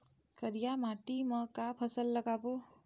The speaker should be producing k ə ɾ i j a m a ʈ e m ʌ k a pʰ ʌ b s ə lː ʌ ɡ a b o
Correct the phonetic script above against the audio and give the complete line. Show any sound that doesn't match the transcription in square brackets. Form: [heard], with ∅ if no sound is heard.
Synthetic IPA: k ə ɾ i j a m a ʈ [i] m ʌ k a pʰ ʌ [∅] s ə lː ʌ ɡ a b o

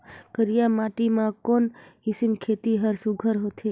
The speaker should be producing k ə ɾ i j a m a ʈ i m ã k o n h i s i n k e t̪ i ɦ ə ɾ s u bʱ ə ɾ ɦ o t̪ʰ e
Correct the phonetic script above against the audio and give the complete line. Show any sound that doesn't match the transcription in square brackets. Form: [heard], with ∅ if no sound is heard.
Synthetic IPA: k ə ɾ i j a m a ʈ i m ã k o n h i s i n [kʰ] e t̪ i ɦ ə ɾ s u [ɡʱ] ə ɾ ɦ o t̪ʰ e

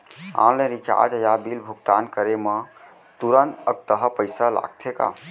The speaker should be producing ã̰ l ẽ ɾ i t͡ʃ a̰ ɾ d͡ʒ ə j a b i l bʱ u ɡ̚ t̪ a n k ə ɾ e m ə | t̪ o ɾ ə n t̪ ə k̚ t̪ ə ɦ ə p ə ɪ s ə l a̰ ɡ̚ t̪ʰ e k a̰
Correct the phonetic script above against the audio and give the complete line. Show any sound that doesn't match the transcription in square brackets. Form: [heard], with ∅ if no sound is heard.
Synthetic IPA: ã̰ l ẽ ɾ i t͡ʃ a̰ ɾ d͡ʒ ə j a b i l bʱ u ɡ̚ t̪ a n k ə ɾ e m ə | t̪ [u] ɾ ə n t̪ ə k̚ t̪ ə ɦ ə p ə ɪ s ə l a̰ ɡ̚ t̪ʰ e k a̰

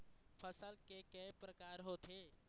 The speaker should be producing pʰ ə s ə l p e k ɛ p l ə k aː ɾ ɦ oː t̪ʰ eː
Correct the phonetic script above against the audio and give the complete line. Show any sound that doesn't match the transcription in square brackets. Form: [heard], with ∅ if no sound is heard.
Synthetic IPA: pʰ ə s ə l [k] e k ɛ p [ɾ] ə k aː ɾ ɦ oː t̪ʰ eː

